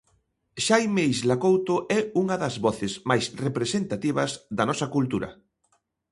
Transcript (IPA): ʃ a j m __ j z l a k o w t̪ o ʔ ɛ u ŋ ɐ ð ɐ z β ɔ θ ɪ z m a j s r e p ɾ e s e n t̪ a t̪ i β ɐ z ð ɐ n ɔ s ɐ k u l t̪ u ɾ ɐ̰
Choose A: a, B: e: B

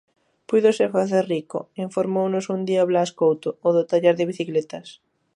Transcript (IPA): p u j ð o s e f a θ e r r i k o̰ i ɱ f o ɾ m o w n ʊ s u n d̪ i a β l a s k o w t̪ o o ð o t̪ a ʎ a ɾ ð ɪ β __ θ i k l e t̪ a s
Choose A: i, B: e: A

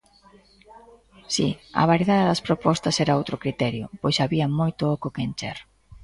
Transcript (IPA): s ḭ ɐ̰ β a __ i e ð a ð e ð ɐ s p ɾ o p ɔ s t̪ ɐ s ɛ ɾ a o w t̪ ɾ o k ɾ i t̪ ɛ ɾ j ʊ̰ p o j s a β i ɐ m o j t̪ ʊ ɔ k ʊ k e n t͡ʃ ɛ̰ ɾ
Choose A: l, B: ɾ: B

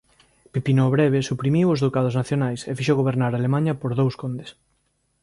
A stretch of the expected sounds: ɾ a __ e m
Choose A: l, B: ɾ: A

